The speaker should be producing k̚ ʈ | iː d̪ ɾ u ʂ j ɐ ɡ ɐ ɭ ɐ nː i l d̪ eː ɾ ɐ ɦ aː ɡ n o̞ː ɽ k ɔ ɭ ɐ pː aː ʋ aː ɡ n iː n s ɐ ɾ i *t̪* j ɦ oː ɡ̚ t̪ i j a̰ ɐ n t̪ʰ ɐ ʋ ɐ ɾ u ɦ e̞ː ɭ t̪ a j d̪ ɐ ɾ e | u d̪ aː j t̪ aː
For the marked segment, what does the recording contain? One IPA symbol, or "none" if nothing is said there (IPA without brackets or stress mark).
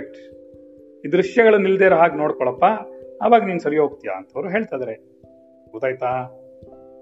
none